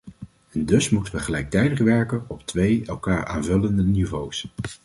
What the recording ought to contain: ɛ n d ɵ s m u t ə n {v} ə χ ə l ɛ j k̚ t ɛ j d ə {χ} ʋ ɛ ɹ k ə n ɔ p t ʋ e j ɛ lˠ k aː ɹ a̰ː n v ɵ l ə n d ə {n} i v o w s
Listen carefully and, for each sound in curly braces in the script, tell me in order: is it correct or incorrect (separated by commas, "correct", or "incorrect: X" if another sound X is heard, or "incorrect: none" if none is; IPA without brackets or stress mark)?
incorrect: ʋ, correct, correct